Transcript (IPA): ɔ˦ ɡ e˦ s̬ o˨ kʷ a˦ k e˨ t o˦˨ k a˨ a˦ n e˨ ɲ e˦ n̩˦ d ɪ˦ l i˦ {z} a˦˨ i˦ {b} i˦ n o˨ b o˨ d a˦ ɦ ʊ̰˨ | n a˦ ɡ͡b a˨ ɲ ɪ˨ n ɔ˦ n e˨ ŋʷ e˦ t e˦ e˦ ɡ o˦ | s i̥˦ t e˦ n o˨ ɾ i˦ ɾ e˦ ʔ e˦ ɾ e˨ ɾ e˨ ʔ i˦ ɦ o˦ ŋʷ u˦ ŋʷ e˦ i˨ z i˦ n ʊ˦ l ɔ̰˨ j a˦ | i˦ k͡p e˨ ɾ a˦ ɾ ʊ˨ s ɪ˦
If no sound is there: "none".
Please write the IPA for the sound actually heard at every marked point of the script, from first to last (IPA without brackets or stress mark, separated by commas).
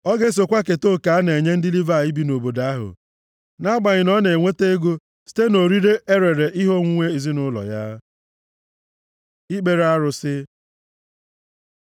v, b